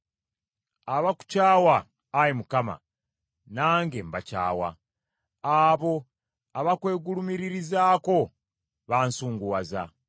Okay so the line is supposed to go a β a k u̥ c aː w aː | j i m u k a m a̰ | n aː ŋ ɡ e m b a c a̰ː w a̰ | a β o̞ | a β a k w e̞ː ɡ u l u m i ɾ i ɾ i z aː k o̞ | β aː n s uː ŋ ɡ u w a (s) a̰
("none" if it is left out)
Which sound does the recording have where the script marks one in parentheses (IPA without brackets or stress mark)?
z